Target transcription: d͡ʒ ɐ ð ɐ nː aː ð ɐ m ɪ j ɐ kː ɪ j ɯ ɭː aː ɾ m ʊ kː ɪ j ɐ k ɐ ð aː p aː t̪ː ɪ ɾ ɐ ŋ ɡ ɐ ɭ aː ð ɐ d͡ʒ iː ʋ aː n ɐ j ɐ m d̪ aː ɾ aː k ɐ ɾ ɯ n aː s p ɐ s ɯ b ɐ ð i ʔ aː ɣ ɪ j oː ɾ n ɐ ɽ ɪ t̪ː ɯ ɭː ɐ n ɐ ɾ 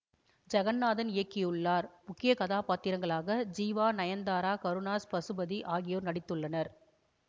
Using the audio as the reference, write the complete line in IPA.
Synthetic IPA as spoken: d͡ʒ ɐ ɣ ɐ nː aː ð ɐ n ɪ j ɐ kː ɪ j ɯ ɭː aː ɾ m ʊ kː ɪ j ɐ k ɐ ð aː p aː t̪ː ɪ ɾ ɐ ŋ ɡ ɐ ɭ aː ɣ ɐ d͡ʒ iː ʋ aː n ɐ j ɐ n d̪ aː ɾ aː k ɐ ɾ ɯ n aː s p ɐ s ɯ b ɐ ð i ʔ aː ɣ ɪ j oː ɾ n ɐ ɽ ɪ t̪ː ɯ ɭː ɐ n ɐ ɾ